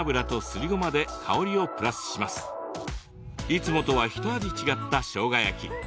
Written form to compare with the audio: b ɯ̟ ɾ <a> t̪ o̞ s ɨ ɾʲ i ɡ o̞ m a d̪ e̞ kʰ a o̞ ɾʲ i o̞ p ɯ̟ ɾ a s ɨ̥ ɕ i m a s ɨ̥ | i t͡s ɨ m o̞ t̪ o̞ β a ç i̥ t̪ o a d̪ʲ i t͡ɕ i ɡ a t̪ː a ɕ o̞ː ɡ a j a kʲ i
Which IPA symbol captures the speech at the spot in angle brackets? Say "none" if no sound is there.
a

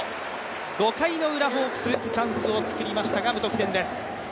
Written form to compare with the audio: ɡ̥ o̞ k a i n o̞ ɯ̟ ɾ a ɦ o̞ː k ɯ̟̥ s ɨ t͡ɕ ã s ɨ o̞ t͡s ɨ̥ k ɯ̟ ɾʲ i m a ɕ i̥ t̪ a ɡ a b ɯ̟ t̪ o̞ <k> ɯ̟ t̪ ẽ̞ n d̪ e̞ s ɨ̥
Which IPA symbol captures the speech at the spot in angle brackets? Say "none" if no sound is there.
k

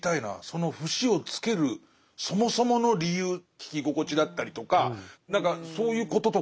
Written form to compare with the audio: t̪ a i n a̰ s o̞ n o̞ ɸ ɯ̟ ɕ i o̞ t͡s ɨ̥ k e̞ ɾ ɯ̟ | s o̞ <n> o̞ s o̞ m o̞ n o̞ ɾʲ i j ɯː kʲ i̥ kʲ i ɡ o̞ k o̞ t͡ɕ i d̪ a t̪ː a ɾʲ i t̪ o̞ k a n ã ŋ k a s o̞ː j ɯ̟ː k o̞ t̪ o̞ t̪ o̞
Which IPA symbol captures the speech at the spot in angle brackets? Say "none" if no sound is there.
m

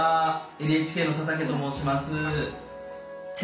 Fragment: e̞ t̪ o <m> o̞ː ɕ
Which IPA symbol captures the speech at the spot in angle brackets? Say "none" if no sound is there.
m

